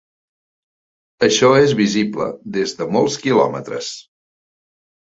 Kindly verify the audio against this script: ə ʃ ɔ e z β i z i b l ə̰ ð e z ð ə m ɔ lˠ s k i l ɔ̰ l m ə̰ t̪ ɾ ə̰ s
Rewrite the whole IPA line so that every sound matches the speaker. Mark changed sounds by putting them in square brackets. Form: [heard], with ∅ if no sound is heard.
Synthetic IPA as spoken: ə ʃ ɔ e z β i z i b l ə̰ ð e z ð ə m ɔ lˠ s k i l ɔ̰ [∅] m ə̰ t̪ ɾ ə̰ s